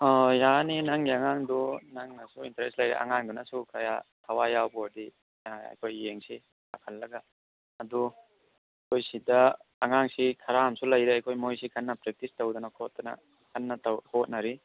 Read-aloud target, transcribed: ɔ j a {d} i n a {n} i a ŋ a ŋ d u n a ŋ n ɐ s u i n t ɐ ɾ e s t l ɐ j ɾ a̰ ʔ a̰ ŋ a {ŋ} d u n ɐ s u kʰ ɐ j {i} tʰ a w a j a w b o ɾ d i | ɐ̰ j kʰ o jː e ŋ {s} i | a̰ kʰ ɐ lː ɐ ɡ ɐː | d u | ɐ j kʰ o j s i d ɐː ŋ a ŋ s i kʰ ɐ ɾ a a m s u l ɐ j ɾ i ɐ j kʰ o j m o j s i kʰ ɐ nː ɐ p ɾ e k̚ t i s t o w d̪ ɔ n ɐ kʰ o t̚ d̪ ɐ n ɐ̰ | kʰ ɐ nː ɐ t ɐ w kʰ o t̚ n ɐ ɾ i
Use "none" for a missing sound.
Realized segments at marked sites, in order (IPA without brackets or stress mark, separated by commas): n, ŋ, ŋ, a, s